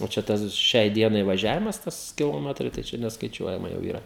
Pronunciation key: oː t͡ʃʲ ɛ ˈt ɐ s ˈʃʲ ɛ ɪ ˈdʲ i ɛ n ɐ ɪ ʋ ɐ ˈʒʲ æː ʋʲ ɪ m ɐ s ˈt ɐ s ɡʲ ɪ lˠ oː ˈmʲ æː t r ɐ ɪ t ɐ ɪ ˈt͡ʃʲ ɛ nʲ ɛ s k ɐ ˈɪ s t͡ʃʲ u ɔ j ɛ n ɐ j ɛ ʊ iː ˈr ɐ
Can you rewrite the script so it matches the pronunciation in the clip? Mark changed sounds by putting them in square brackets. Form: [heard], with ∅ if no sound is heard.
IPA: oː t͡ʃʲ ɛ ˈt ɐ s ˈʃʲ ɛ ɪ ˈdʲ i ɛ n ɐ ɪ ʋ ɐ ˈʒʲ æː ʋʲ ɪ m ɐ s ˈt ɐ s [kʲ] ɪ lˠ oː ˈmʲ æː t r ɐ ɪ t ɐ ɪ ˈt͡ʃʲ ɛ nʲ ɛ s k ɐ ˈɪ [∅] t͡ʃʲ u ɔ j ɛ [m] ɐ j ɛ ʊ iː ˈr ɐ